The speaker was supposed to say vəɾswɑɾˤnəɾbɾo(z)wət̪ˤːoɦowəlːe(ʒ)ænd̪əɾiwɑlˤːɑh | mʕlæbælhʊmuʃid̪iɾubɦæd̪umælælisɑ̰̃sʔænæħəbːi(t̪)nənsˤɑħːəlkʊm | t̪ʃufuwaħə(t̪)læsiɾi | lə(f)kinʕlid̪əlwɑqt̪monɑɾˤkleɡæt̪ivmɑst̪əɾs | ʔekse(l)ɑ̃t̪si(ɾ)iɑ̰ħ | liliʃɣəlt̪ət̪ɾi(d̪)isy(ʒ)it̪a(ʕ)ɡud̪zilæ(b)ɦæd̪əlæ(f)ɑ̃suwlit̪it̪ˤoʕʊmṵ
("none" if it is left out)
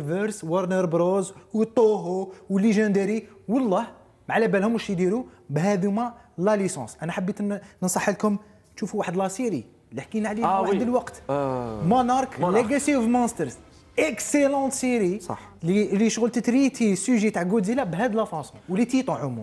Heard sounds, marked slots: z, ʒ, t̪, d̪, ħ, l, ɾ, t̪, ʒ, ʕ, b, f

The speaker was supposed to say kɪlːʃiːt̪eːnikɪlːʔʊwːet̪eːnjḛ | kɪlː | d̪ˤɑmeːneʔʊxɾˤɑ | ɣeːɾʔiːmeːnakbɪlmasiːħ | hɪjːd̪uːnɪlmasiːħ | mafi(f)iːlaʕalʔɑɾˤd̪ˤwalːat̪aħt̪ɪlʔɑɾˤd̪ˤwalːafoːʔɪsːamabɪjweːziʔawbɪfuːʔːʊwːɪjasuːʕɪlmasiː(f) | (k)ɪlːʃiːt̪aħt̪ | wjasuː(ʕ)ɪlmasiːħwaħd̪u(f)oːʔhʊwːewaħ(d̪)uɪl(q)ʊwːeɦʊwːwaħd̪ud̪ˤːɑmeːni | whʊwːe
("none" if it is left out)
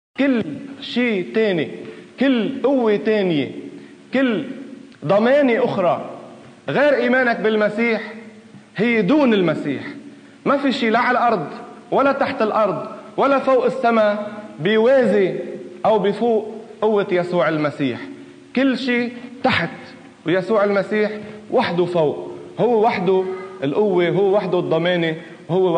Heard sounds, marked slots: ʃ, ħ, k, ʕ, f, d̪, ʔ

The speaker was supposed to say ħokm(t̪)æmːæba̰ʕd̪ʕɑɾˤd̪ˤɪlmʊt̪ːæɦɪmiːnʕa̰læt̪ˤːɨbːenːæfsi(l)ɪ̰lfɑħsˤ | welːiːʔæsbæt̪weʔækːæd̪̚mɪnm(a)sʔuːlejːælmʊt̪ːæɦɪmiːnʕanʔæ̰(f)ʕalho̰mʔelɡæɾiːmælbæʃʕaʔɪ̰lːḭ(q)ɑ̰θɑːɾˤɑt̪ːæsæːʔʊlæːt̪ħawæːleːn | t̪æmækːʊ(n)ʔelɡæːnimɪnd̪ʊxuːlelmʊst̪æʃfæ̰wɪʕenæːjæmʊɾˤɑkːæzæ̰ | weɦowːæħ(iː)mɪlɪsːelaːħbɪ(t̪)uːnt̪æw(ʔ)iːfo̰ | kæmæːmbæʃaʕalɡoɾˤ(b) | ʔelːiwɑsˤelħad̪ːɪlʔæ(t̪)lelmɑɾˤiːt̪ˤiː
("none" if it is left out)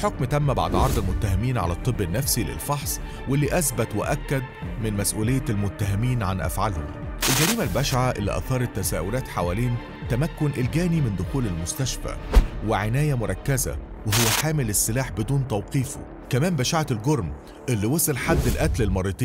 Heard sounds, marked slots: t̪, l, æ, f, ʔ, n, aː, d̪, q, m, t̪

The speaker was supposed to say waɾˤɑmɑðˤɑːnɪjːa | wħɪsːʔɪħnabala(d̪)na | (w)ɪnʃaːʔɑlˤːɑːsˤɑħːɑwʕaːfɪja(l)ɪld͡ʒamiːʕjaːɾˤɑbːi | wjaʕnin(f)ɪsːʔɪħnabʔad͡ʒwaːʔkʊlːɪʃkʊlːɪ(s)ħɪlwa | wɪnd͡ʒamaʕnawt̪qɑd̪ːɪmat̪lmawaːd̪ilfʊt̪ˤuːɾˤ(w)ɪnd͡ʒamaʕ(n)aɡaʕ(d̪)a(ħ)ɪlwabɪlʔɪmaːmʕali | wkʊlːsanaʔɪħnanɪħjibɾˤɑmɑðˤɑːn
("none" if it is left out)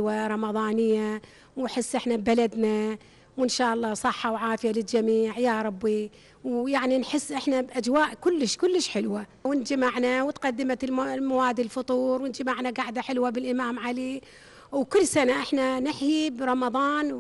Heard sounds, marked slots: d̪, w, l, ħ, ʃ, w, n, d̪, ħ

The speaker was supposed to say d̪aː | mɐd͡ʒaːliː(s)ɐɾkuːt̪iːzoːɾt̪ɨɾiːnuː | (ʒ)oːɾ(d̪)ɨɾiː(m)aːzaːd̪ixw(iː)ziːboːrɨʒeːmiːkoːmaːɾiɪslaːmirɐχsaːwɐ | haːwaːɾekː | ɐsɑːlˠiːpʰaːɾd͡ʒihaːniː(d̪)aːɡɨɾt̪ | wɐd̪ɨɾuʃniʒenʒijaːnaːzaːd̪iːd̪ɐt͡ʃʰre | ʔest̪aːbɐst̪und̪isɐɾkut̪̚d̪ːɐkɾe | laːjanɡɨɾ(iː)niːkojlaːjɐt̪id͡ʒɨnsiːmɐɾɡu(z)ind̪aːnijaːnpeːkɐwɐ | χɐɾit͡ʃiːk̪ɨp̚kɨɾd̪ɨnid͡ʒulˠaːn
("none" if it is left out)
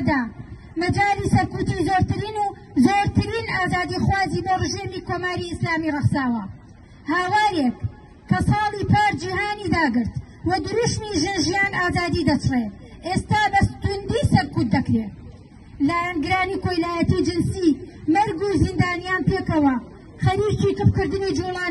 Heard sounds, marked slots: s, z, t̪, n, aː, d̪, aː, z

